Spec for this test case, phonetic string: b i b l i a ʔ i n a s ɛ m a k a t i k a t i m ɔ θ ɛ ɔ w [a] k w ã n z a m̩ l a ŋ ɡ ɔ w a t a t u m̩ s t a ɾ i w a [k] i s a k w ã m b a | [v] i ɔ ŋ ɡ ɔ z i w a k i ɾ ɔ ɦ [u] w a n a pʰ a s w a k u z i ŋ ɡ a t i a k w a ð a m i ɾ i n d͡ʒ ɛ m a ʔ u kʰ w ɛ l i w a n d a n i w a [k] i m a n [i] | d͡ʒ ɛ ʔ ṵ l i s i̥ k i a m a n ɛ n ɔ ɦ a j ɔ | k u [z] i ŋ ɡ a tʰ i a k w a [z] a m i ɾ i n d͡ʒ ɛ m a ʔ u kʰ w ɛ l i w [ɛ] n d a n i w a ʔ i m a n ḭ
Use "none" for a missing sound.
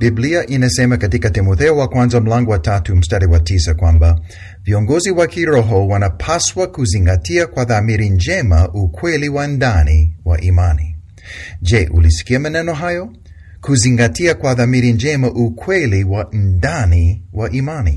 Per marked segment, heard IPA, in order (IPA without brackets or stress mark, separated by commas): a, t, v, ɔ, ʔ, i, z, ð, a